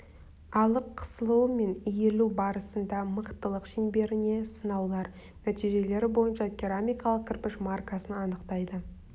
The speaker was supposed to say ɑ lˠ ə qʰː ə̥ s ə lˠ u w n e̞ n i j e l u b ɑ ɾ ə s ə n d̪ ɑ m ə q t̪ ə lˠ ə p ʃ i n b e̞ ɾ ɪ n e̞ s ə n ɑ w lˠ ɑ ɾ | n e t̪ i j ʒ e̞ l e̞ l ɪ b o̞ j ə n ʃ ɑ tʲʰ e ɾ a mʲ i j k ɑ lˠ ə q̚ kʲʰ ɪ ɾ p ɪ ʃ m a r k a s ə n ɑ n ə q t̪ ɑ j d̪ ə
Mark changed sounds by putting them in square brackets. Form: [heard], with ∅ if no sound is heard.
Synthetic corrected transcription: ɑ lˠ ə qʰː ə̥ s ə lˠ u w [m] e̞ n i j e l u b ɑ ɾ ə s ə n d̪ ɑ m ə q t̪ ə lˠ ə [q] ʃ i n b e̞ ɾ ɪ n e̞ s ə n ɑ w lˠ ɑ ɾ | n [æ] t̪ i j ʒ e̞ l e̞ [ɾ] ɪ b o̞ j ə n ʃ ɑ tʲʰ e ɾ a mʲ i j k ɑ lˠ ə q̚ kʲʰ ɪ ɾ p ɪ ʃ m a r k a s ə n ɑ n ə q t̪ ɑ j d̪ ə